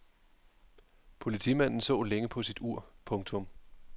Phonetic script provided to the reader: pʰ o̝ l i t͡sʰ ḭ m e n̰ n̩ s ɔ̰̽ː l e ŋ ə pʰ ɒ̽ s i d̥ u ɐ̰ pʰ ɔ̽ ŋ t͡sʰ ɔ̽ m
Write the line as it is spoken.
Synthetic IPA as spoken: pʰ o̝ l i t͡sʰ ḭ m æ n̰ n̩ s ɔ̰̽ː l e ŋ ə pʰ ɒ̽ s i d̥ u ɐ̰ pʰ ɔ̽ ŋ t͡sʰ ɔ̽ m